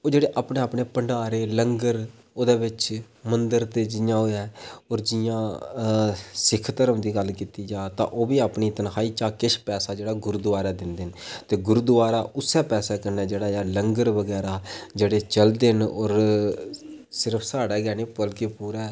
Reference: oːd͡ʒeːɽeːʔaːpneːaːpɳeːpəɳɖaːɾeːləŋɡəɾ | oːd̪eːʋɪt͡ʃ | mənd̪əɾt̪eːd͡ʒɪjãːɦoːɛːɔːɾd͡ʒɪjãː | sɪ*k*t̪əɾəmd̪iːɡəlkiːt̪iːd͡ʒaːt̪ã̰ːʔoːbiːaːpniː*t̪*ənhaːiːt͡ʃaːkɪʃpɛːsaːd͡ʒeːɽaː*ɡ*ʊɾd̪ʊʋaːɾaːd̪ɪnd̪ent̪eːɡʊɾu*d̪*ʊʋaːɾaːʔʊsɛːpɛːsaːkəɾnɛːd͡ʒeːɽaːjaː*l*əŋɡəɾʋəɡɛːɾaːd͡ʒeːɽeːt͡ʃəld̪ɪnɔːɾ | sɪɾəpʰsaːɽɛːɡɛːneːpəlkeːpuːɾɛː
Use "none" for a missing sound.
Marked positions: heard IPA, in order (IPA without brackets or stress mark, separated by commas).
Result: kʰ, t̪, ɡ, d̪, l